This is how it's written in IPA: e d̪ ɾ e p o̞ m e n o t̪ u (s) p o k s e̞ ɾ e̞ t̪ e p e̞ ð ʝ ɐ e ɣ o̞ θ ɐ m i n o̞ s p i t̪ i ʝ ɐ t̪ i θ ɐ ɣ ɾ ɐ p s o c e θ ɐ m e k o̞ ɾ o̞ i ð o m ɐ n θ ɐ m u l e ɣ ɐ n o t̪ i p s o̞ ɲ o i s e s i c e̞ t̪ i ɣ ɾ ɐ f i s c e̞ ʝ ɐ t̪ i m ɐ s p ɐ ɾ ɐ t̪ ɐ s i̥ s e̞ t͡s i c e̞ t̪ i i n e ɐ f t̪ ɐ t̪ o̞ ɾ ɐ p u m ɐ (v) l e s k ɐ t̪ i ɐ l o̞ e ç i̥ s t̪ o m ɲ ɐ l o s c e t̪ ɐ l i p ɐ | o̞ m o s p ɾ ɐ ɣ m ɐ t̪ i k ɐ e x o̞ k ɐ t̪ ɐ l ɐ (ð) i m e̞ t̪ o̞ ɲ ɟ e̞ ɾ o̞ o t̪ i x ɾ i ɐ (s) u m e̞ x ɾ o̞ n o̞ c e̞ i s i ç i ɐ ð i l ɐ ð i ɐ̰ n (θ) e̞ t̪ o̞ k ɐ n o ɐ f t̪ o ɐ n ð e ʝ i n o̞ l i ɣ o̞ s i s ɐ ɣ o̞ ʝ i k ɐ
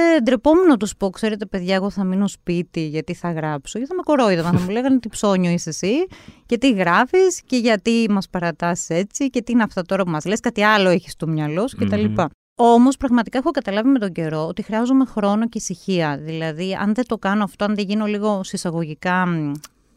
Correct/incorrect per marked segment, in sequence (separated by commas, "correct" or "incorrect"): correct, incorrect, incorrect, incorrect, incorrect